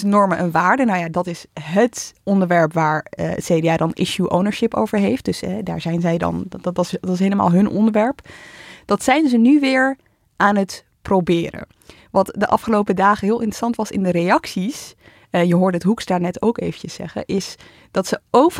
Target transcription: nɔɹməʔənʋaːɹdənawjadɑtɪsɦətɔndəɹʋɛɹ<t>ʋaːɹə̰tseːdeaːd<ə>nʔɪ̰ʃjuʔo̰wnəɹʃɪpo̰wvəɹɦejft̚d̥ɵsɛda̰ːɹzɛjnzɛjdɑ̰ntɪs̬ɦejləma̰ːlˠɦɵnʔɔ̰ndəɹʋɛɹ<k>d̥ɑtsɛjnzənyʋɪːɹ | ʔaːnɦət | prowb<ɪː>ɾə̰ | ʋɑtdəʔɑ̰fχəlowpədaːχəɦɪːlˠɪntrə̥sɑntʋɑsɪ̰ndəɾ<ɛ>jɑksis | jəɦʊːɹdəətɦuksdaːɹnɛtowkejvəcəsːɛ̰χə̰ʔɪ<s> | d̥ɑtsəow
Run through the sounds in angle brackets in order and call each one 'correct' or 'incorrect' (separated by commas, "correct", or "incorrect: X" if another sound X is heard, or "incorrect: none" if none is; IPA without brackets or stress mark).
incorrect: p, incorrect: ɑ, incorrect: p, correct, incorrect: e, correct